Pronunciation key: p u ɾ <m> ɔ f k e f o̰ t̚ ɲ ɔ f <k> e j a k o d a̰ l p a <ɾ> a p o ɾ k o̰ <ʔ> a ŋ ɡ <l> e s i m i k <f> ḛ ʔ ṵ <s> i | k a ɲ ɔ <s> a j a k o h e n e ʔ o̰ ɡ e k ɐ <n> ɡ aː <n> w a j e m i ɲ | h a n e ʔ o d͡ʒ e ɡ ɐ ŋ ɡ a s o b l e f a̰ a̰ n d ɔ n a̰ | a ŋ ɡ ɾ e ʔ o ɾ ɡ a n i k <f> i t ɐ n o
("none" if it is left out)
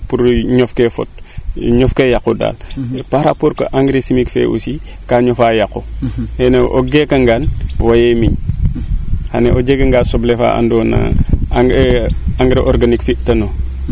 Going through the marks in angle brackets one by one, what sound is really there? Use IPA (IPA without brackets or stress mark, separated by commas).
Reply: ɲ, k, ɾ, ʔ, ɾ, f, s, f, ŋ, n, f